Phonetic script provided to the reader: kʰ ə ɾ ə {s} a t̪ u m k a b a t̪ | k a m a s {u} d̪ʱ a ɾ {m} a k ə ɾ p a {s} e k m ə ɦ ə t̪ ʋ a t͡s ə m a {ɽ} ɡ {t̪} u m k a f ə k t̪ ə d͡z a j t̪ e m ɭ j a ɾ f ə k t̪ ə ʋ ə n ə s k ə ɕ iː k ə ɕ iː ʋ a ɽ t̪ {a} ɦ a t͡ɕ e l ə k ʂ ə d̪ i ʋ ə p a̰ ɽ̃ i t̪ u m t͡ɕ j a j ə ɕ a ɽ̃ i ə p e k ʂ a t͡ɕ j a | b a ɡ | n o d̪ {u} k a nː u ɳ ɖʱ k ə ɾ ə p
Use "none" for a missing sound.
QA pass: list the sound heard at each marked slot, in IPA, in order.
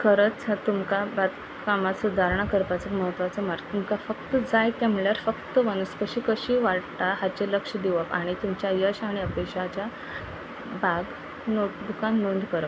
t͡s, u, ɳ, t͡s, ɾ, t̪, a, u

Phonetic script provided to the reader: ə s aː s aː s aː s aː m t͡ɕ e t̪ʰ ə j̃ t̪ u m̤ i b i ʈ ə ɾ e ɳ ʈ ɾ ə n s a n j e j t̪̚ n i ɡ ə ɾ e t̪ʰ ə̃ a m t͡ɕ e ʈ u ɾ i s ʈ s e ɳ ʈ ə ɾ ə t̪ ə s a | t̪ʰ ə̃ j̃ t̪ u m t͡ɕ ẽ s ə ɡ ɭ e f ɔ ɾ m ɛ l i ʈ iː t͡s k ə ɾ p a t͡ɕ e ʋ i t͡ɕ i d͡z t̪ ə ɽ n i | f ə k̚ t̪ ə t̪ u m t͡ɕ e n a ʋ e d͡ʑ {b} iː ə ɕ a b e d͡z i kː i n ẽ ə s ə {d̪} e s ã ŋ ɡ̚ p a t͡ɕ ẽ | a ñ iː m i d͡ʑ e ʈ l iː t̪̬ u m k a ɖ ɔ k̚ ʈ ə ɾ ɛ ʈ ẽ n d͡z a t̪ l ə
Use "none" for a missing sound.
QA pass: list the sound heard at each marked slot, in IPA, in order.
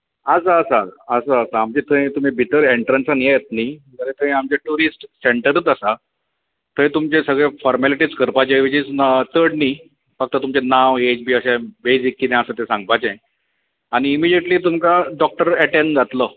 b, t̪

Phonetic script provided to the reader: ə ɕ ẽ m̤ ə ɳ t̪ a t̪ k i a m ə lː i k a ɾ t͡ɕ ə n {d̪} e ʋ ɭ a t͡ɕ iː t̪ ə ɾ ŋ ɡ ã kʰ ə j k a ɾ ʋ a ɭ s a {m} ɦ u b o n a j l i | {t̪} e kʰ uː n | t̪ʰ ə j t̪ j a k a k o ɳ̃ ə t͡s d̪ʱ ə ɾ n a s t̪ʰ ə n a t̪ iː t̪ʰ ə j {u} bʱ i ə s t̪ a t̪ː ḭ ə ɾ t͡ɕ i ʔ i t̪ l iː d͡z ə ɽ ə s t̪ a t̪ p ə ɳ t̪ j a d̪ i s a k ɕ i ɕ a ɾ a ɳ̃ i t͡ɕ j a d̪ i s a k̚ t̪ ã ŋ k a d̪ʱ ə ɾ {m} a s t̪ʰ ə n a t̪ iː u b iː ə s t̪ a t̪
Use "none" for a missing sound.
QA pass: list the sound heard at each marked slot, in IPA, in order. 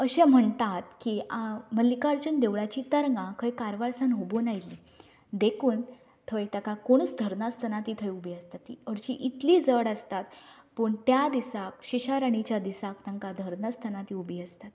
d̪, n, d̪, u, n

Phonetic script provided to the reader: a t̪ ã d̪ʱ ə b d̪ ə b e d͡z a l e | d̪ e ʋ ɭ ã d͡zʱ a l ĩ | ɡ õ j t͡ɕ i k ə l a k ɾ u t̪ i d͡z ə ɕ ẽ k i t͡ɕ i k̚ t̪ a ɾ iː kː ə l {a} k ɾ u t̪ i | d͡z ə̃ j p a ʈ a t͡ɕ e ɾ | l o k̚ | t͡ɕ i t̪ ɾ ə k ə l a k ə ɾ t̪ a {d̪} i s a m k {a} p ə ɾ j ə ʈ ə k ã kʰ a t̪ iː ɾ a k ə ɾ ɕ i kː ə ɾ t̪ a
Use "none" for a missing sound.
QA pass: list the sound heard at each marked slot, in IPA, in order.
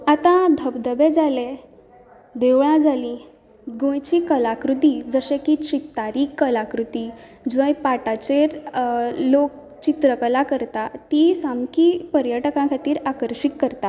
a, t̪, i

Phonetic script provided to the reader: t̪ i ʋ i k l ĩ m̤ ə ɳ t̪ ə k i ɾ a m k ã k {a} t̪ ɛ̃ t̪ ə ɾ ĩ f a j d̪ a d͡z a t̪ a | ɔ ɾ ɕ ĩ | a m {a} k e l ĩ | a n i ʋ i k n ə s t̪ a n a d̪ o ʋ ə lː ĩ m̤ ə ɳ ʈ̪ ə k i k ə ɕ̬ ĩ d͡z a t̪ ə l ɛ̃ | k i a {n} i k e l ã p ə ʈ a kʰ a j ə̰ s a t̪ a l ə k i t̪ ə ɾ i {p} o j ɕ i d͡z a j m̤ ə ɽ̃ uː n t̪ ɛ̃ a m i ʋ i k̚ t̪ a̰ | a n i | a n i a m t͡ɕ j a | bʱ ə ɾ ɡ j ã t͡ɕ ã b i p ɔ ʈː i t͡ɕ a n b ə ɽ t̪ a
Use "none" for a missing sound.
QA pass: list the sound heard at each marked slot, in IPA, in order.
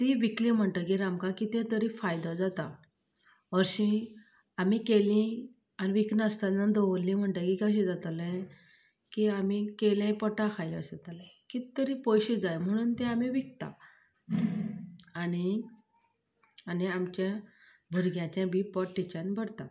i, i, m, p

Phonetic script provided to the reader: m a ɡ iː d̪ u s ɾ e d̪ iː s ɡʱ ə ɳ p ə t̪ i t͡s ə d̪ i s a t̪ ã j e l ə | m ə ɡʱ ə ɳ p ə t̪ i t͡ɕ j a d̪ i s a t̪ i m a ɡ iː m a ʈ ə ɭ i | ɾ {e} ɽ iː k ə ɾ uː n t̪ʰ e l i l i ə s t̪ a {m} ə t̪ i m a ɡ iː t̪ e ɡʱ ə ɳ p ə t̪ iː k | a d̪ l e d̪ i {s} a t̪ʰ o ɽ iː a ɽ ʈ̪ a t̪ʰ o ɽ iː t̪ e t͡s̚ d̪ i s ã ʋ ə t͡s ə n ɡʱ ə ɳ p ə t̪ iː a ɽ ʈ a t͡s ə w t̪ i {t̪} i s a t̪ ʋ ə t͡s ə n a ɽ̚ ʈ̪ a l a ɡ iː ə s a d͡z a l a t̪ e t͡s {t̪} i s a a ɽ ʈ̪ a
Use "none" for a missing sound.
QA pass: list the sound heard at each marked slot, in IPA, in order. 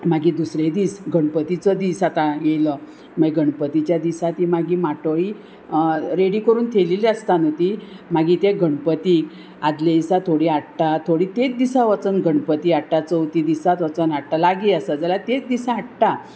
e, n, s, d̪, d̪

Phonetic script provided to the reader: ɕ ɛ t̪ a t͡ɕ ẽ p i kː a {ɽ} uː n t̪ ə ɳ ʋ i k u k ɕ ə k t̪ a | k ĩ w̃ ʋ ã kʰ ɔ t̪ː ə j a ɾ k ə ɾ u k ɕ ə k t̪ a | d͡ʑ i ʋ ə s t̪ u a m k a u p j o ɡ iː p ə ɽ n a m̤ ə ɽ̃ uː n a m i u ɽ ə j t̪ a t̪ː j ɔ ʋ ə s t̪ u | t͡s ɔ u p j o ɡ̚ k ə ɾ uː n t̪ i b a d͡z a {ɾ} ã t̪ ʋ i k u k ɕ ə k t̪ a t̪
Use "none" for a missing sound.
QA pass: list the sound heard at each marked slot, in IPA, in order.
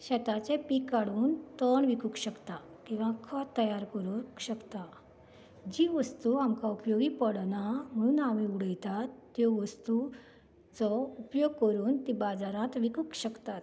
ɽ, ɾ

